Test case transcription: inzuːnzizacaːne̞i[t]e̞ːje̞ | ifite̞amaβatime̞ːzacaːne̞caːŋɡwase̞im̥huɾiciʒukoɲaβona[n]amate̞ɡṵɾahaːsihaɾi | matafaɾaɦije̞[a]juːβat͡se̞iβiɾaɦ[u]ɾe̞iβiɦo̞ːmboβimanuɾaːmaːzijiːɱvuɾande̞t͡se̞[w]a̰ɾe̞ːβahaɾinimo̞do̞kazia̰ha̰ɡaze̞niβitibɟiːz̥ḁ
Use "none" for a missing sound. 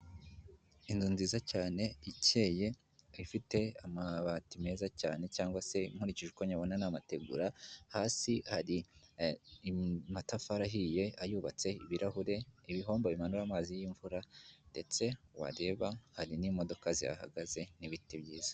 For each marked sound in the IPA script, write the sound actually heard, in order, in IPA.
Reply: c, n, a, u, w

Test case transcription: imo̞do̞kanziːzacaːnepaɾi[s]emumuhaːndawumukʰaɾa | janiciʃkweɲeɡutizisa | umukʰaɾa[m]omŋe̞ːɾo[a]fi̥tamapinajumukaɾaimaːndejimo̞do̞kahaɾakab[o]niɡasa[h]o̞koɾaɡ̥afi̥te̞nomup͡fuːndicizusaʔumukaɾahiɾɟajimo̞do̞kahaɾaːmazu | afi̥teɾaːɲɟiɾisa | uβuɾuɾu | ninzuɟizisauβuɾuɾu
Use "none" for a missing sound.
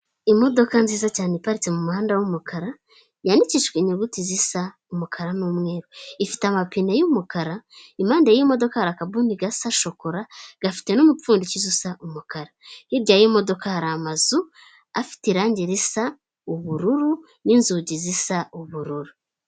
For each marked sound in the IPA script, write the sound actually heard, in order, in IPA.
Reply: t͡s, n, i, u, ʃ

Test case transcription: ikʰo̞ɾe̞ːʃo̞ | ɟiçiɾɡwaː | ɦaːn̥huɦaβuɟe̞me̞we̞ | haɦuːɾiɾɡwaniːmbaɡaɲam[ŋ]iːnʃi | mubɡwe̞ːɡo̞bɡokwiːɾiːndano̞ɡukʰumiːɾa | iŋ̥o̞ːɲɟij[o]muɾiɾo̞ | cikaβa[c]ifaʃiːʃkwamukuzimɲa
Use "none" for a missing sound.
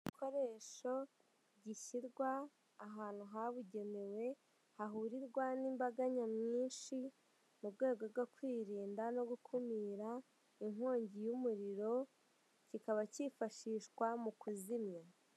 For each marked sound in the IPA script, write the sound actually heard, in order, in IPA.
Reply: ɲ, u, c

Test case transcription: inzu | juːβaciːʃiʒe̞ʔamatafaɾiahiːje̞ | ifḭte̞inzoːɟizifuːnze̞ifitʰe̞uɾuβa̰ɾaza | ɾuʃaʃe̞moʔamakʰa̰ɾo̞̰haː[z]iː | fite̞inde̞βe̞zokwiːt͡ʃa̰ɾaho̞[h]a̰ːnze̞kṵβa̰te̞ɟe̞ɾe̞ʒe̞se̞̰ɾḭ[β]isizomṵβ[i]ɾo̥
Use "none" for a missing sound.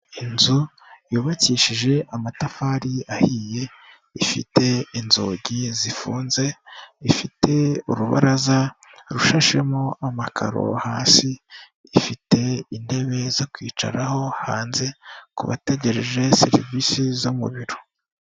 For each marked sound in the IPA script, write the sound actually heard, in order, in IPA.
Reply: s, h, v, i

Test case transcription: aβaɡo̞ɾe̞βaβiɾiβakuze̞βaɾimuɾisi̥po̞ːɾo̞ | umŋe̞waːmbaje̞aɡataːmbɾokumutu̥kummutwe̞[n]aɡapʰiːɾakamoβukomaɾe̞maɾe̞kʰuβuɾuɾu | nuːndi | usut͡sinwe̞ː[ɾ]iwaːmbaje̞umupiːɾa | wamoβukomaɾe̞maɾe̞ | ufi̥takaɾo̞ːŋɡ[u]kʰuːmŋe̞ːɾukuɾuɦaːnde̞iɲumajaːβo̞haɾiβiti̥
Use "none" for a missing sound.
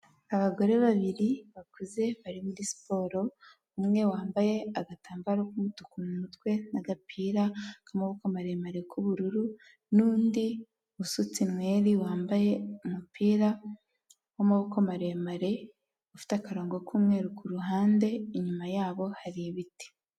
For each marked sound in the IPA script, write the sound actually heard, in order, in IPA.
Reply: n, ɾ, o

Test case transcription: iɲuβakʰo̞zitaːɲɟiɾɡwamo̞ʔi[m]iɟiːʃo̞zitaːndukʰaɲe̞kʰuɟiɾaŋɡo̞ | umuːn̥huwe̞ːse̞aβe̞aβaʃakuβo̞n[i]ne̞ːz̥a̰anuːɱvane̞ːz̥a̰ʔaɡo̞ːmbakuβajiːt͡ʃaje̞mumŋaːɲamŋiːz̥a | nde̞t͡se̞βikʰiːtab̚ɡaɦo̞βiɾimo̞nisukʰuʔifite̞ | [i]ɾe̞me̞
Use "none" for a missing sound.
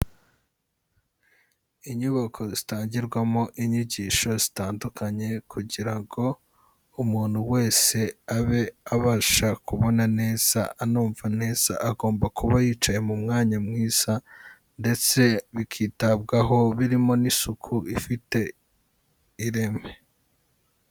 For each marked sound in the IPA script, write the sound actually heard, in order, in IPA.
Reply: ɲ, a, i

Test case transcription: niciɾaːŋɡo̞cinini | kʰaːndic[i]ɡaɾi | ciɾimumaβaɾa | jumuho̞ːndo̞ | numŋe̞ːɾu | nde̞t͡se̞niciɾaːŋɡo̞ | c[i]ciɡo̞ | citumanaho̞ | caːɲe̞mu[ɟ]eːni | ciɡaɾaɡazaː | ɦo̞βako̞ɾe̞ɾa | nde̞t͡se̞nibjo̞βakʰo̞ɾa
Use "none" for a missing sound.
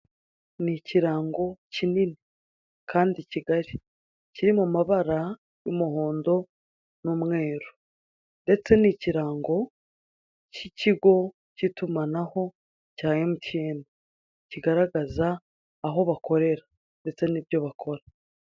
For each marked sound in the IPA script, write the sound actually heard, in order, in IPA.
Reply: i, i, c

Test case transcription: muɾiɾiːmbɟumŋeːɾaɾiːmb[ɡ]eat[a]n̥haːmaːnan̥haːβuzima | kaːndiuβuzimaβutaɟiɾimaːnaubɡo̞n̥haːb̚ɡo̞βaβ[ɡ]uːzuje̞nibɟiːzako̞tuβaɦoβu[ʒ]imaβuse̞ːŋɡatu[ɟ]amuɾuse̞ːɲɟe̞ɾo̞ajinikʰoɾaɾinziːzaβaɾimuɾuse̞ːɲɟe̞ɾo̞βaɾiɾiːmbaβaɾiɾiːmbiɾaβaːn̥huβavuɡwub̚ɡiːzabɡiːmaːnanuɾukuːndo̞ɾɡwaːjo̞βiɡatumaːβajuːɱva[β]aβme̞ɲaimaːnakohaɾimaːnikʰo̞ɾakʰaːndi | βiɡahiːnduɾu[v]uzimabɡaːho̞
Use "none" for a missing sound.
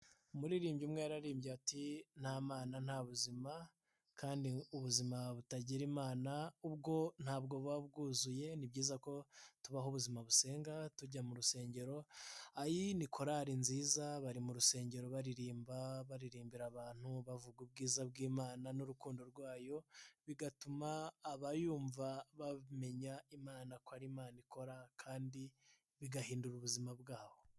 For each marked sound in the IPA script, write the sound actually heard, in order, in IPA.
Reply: ɟ, i, ɡ, z, ɟ, β, β

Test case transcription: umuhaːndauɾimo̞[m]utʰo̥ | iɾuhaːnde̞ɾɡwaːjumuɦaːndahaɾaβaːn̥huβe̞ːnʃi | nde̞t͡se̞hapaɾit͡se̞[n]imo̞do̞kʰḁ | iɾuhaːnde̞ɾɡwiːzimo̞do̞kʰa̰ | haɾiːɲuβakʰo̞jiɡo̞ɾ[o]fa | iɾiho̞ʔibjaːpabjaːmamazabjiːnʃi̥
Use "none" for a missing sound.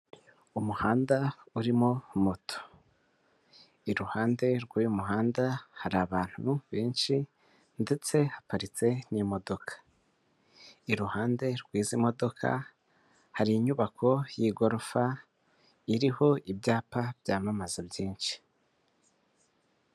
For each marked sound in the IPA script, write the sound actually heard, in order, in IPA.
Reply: m, n, o

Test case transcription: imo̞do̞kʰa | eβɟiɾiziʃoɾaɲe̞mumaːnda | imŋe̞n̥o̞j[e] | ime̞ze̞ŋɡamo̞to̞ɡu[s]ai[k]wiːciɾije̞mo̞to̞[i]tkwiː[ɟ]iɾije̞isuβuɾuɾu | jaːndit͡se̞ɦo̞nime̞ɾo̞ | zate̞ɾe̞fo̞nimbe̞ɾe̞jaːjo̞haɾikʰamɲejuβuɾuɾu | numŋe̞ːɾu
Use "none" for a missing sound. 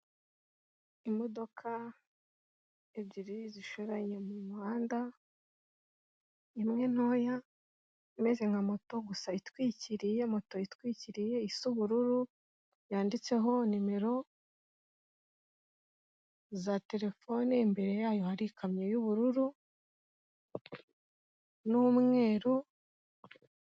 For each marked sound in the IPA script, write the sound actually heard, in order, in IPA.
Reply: a, s, t, i, c

